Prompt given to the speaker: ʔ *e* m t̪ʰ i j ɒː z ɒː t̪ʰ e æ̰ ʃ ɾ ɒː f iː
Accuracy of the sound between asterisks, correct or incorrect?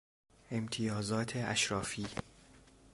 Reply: correct